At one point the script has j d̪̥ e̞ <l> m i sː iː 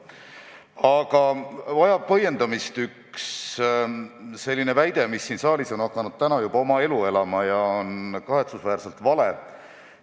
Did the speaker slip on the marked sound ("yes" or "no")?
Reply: yes